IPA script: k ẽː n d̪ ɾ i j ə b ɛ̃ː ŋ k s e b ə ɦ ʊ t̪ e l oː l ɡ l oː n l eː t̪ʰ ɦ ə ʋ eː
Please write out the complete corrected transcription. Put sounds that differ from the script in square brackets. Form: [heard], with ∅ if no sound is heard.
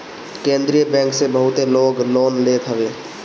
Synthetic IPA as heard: k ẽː n d̪ ɾ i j ə b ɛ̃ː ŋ k s e b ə ɦ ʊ t̪ e l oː [∅] ɡ l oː n l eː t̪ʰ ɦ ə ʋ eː